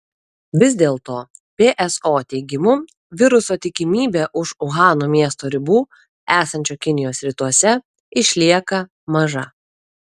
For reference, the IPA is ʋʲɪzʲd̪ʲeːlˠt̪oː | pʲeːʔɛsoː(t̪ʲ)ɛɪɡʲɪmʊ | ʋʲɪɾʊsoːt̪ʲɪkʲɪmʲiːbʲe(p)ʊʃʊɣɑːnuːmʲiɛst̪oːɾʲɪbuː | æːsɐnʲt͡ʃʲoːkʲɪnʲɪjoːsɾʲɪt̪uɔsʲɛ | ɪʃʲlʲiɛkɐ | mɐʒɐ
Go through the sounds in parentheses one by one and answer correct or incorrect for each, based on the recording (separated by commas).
correct, incorrect